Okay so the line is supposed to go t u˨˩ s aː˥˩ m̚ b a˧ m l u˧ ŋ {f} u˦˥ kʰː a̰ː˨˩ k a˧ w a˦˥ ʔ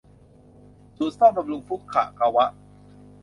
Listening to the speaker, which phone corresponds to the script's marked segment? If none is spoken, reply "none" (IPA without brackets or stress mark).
f